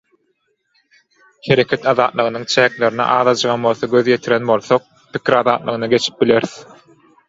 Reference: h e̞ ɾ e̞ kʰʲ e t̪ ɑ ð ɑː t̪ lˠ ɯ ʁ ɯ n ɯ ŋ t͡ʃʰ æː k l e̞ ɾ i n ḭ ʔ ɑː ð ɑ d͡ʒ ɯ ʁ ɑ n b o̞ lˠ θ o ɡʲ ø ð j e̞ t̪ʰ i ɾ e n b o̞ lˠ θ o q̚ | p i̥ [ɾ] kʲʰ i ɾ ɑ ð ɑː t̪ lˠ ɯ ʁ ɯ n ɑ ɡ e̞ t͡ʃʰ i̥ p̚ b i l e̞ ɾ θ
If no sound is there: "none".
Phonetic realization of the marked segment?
none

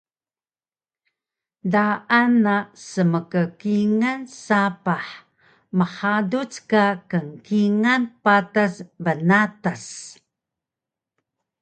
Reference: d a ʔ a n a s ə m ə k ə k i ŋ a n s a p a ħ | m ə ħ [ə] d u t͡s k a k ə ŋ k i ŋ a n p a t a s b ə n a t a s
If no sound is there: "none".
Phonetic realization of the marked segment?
a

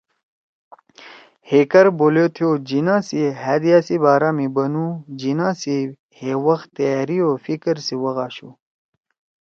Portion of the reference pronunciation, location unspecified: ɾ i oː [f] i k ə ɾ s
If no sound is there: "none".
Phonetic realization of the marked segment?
f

